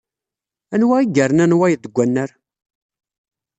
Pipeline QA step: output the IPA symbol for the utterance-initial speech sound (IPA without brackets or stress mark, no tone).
æ